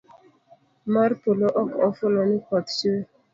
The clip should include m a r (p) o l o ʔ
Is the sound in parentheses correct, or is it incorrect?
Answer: correct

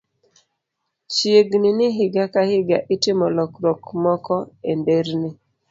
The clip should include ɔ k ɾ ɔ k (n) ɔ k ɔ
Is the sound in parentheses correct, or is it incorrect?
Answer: incorrect: m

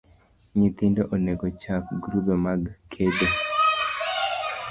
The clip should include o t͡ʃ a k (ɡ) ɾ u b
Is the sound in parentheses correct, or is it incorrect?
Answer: correct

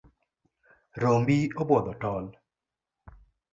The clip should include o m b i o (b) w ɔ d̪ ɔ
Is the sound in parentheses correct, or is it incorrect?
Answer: correct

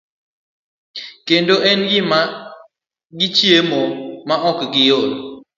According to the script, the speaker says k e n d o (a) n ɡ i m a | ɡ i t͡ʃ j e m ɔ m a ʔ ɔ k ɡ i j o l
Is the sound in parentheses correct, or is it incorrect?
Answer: incorrect: ɛ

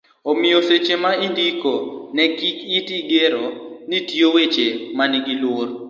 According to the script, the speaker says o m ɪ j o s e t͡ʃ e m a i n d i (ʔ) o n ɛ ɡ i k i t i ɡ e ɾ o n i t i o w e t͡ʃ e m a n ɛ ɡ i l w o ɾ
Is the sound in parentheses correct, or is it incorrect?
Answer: incorrect: k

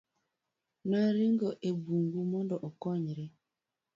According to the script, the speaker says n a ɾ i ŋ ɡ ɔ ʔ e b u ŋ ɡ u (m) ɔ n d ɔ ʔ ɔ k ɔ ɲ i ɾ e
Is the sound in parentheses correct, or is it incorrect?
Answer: correct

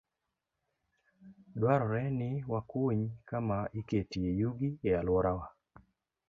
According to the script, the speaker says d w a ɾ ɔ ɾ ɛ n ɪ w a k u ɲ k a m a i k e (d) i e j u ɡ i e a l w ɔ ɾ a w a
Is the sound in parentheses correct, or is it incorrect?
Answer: incorrect: t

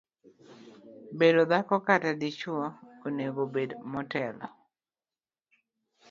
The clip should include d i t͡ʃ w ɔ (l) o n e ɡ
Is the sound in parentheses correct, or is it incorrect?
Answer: incorrect: none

